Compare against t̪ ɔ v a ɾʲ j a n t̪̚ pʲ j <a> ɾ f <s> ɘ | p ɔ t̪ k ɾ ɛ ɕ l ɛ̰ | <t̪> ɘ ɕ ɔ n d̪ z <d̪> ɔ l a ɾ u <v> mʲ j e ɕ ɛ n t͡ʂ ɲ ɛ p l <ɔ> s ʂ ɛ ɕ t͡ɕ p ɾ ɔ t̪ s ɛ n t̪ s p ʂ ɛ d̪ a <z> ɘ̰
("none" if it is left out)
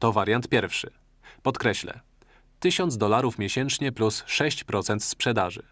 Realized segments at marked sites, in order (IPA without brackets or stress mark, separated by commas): ɛ, ʂ, t̪, d̪, f, u, ʐ